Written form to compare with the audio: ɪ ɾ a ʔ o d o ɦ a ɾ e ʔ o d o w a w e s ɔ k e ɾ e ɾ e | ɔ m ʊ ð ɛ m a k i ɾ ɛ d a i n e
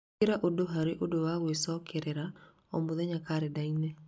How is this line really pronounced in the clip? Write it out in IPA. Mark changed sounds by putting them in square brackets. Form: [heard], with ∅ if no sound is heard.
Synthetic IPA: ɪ ɾ a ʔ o d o ɦ a ɾ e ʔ o d o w a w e s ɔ k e ɾ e ɾ [a] | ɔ m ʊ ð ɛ [ɲ] a k [a] ɾ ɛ d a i n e

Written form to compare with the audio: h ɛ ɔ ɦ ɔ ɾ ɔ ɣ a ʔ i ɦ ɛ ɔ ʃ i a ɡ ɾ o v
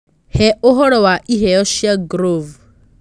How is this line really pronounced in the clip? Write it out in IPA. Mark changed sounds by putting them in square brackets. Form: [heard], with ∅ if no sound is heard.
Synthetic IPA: h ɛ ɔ ɦ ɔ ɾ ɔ [w] a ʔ i ɦ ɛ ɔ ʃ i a ɡ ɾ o v

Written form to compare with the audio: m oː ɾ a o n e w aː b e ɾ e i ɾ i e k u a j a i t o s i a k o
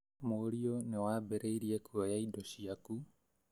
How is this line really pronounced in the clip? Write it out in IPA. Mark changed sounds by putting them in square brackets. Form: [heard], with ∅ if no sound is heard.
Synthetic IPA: m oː ɾ [i] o n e w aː b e ɾ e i ɾ i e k u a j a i [d] o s i a k [u]

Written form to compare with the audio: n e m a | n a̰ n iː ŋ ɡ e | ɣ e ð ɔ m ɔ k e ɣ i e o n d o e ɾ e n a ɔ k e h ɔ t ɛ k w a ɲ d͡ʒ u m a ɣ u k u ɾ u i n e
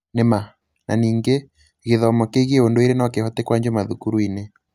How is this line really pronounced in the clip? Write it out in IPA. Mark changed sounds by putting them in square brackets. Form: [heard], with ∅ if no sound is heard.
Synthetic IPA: n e m a | n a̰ n iː ŋ ɡ e | ɣ e ð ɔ m ɔ k e ɣ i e o n d o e ɾ e n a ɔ k e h ɔ t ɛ k w a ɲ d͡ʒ [o] m a [ð] u k u ɾ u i n e

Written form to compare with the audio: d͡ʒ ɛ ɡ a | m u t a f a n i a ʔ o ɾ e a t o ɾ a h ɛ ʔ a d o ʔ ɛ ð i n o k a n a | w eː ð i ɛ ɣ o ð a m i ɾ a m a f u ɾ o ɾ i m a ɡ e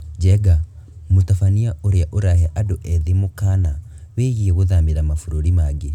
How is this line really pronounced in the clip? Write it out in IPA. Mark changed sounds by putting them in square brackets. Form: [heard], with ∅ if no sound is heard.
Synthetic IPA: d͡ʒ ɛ ɡ a | m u t a f a n i a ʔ o ɾ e a [ʔ] o ɾ a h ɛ ʔ a d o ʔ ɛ ð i [m] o k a n a | w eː [ɣ] i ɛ ɣ o ð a m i ɾ a m a f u ɾ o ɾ i m a ɡ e

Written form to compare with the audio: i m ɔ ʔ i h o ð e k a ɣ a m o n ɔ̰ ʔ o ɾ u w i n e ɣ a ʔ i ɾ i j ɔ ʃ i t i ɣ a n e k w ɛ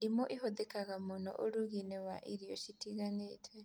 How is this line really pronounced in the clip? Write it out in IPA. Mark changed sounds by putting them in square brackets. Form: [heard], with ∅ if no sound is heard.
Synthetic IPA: i m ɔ ʔ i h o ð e k a ɣ a m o n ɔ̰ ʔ o ɾ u [ɣ] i n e [w] a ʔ i ɾ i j ɔ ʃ i t i ɣ a n e [t] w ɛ

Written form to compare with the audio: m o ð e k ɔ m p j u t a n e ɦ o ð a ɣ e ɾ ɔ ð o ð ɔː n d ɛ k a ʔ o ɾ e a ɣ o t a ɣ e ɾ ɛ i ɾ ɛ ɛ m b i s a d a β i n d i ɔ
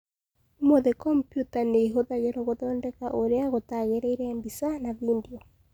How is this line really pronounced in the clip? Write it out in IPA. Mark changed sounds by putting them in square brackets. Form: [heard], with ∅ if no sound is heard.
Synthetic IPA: m o ð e k ɔ m p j u t a n e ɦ o ð a ɣ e ɾ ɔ [ɣ] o ð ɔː n d ɛ k a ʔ o ɾ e a ɣ o t a ɣ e ɾ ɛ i ɾ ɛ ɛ m b i s a [n] a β i n d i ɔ

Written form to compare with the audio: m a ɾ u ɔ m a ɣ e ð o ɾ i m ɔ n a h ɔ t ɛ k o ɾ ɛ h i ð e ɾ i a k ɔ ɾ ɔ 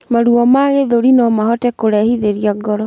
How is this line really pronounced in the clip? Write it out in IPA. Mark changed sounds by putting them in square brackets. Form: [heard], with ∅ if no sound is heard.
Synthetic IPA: m a ɾ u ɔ m a ɣ e ð o ɾ i [n] ɔ [m] a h ɔ t ɛ k o ɾ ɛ h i ð e ɾ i a [ɡ] ɔ ɾ ɔ

